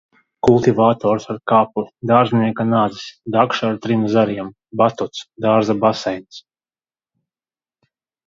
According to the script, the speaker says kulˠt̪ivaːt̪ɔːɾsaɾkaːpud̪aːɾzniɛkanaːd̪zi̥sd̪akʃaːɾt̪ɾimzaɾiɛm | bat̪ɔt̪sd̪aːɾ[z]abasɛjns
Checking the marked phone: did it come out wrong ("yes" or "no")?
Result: no